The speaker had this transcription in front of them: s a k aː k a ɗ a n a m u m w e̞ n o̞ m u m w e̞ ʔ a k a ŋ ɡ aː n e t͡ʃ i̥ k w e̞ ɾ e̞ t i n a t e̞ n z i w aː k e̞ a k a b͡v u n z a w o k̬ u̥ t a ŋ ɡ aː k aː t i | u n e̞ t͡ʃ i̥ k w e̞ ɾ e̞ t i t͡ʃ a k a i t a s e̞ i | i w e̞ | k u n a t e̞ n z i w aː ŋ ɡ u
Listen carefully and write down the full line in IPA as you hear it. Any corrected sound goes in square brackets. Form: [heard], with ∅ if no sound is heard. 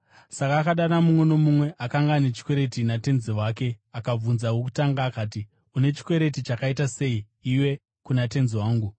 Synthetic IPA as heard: s a k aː k a ɗ a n a m u m w e̞ n o̞ m u m w e̞ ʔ a k a ŋ ɡ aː n e t͡ʃ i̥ k w e̞ ɾ e̞ t i n a t e̞ n z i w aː k e̞ a k a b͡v u n z a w o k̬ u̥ t a ŋ ɡ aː k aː t i | u n e̞ t͡ʃ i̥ k w e̞ ɾ e̞ t i t͡ʃ a k a i t a s e̞ i | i w e̞ | k u n a t e̞ n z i w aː ŋ ɡ u

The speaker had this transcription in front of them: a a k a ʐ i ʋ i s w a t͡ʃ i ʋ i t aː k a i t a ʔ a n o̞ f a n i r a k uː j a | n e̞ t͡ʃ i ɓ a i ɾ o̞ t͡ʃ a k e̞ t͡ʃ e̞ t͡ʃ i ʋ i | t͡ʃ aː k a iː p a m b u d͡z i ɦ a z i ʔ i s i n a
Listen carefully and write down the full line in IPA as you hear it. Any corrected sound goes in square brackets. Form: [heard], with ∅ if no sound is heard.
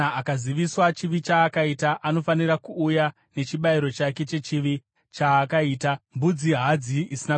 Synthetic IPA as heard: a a k a [z] i ʋ i s w a t͡ʃ i ʋ i [t͡ʃ] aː k a i t a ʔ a n o̞ f a n i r a k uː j a | n e̞ t͡ʃ i ɓ a i ɾ o̞ t͡ʃ a k e̞ t͡ʃ e̞ t͡ʃ i ʋ i | t͡ʃ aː k a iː [t] a m b u d͡z i ɦ a [d͡z] i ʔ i s i n a

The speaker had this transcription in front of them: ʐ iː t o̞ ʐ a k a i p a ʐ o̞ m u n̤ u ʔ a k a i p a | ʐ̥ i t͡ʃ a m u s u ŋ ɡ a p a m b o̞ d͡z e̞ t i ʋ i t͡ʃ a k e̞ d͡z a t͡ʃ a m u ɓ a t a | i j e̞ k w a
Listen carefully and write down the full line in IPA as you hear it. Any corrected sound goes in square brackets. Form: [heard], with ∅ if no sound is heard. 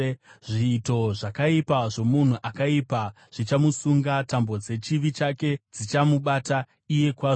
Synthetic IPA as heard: ʐ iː t o̞ ʐ a k a i p a ʐ o̞ m u n̤ u ʔ a k a i p a | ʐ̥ i t͡ʃ a m u s u ŋ ɡ a [t] a m b o̞ d͡z e̞ [t͡ʃ] i ʋ i t͡ʃ a k e̞ d͡z [i] t͡ʃ a m u ɓ a t a | i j e̞ k w a

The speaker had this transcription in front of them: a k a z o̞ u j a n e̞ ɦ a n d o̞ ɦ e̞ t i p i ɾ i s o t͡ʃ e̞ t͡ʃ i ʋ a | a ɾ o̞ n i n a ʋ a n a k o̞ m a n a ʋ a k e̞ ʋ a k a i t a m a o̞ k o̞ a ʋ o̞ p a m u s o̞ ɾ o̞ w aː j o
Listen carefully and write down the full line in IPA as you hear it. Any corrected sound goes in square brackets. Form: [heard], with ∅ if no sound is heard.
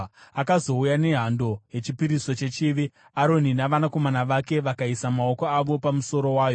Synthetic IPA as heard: a k a z o̞ u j a n e̞ ɦ a n d o̞ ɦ e̞ [t͡ʃ] i p i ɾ i s o t͡ʃ e̞ t͡ʃ i ʋ [i] | a ɾ o̞ n i n a ʋ a n a k o̞ m a n a ʋ a k e̞ ʋ a k a i [s] a m a o̞ k o̞ a ʋ o̞ p a m u s o̞ ɾ o̞ w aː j o

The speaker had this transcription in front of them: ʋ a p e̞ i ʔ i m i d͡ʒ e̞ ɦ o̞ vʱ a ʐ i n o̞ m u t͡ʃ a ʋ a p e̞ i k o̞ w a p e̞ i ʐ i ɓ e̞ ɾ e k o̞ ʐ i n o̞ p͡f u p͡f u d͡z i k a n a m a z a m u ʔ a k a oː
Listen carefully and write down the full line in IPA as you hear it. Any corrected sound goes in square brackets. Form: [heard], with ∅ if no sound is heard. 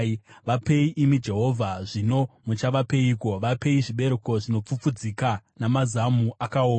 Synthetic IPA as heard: ʋ a p e̞ i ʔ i m i d͡ʒ e̞ ɦ o̞ vʱ a ʐ i n o̞ m u t͡ʃ a ʋ a p e̞ i k o̞ [ʋ] a p e̞ i ʐ i ɓ e̞ ɾ e k o̞ ʐ i n o̞ p͡f u p͡f u d͡z i k a n a m a z a m u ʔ a k a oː

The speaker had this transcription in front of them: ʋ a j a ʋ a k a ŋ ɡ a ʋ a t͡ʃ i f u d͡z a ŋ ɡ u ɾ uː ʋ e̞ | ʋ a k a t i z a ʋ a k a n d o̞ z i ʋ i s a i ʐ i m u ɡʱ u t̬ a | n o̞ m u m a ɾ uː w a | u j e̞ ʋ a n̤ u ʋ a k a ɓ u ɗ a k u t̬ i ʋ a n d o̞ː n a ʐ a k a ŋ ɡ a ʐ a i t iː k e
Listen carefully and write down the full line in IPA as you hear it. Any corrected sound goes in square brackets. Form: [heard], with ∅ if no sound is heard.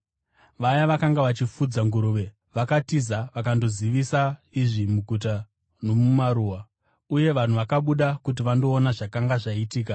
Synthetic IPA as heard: ʋ a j a ʋ a k a ŋ ɡ a ʋ a t͡ʃ i f u d͡z a ŋ ɡ u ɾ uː ʋ e̞ | ʋ a k a t i z a ʋ a k a n d o̞ z i ʋ i s a i ʐ i m u ɡʱ u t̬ a | n o̞ m u m a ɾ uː w a | u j e̞ ʋ a n̤ u ʋ a k a ɓ u ɗ a k u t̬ i ʋ a n d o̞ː n a ʐ a k a ŋ ɡ a ʐ a i t iː k [a]

